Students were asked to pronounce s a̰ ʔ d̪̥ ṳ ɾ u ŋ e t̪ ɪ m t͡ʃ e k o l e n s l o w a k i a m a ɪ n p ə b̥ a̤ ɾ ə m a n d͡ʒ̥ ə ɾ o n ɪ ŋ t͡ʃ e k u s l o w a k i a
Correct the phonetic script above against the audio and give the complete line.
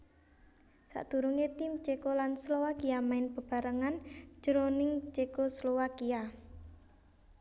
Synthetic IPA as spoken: s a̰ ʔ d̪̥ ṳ ɾ u ŋ e t̪ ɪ m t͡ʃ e k o l a n s l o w a k i a m a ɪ n p ə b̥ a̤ ɾ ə ŋ a n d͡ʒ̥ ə ɾ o n ɪ ŋ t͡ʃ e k o s l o w a k i a